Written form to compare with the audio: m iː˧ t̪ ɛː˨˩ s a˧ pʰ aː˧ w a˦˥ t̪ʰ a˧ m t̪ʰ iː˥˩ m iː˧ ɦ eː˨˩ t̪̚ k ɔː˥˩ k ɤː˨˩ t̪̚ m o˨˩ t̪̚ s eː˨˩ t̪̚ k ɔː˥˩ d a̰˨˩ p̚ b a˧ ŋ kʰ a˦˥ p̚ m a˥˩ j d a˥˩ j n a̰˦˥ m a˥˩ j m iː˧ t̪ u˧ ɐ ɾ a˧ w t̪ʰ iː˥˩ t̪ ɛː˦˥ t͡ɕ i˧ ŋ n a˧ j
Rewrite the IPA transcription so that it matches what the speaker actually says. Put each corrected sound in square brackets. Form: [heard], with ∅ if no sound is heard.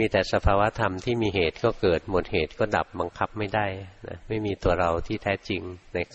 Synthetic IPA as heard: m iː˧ t̪ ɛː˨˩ s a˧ pʰ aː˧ w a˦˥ t̪ʰ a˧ m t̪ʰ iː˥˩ m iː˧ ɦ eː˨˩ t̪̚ k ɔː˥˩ k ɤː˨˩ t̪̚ m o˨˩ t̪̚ [h] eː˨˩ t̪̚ k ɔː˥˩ d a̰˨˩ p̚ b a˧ ŋ kʰ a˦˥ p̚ m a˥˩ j d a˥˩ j n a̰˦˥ m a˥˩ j m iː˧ t̪ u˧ ɐ ɾ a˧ w t̪ʰ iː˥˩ [t̪ʰ] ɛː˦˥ t͡ɕ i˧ ŋ n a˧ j